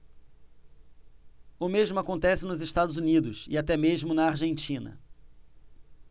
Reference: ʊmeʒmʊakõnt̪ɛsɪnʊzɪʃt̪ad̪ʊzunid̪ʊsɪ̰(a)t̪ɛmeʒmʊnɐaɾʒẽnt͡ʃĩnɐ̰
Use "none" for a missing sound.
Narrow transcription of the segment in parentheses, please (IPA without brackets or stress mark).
a